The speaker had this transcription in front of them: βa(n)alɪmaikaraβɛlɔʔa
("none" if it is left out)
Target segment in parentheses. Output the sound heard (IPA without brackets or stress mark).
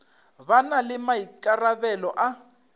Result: n